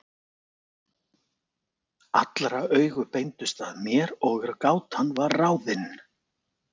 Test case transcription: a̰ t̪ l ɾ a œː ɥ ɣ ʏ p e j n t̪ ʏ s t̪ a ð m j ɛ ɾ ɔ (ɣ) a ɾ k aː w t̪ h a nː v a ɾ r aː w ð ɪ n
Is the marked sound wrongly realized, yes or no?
no